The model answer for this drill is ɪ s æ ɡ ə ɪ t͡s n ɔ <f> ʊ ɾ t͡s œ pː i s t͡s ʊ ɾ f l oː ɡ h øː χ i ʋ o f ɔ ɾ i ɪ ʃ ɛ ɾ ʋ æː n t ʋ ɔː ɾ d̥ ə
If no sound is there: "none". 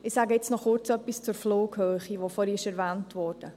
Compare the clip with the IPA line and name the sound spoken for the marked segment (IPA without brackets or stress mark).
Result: χ